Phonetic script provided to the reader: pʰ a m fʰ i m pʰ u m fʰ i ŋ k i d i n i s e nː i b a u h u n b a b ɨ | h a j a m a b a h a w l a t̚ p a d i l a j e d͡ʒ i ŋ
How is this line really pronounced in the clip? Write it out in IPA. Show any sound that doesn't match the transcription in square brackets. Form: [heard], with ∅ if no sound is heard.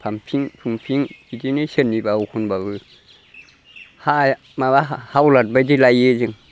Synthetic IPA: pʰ a m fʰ i [ŋ] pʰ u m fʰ i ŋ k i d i n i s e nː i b a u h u n b a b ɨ | h a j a m a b a h a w l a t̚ [b] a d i l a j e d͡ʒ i ŋ